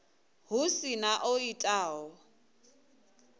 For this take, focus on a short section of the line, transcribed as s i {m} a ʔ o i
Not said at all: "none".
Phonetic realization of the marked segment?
n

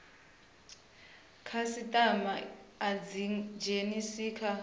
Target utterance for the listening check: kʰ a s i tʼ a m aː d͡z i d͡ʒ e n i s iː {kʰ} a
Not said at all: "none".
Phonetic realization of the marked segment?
kʰ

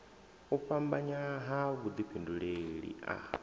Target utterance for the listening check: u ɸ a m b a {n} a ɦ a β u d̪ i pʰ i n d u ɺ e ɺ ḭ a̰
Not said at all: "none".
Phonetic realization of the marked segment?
ɲ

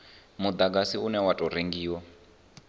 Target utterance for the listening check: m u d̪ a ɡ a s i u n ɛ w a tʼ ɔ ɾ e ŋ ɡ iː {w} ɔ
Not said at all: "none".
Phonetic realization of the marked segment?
w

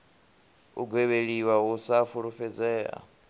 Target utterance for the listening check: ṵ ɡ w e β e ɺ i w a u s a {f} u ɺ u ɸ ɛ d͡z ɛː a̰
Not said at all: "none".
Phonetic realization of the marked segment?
f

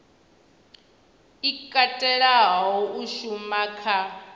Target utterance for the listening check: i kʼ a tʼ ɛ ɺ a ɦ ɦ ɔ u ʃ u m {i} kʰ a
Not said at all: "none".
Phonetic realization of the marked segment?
a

